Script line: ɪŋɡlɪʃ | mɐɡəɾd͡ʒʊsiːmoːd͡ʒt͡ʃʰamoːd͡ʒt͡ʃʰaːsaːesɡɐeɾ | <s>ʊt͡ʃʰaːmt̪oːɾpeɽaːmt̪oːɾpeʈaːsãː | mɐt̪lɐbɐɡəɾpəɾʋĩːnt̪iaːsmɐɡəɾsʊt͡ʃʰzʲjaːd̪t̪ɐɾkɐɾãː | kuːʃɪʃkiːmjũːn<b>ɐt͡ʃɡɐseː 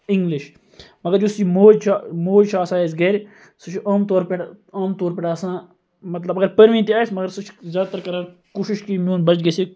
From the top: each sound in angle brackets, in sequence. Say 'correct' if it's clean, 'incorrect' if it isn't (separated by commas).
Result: correct, correct